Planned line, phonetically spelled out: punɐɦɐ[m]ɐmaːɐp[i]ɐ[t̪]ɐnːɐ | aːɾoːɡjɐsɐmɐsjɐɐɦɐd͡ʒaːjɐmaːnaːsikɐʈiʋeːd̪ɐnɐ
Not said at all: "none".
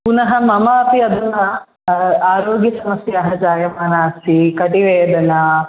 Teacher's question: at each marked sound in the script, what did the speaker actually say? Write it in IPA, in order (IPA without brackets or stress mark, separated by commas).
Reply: m, i, d̪